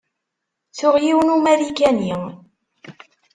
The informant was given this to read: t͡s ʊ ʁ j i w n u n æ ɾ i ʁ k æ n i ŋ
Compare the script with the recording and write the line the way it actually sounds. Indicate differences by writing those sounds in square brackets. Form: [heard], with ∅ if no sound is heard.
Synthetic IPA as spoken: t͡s ʊ ʁ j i w n u [m] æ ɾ i [∅] k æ n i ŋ